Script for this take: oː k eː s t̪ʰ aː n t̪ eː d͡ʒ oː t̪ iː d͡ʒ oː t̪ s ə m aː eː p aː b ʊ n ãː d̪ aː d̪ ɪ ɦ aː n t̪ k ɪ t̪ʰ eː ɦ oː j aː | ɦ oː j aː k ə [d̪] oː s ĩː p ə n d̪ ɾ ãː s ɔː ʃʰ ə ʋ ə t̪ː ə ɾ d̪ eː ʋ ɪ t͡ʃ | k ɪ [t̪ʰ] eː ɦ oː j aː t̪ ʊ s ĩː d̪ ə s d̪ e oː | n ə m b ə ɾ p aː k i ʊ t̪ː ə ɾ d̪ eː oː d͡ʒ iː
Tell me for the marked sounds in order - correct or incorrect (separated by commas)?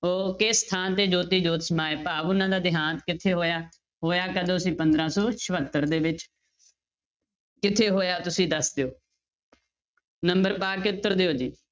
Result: correct, correct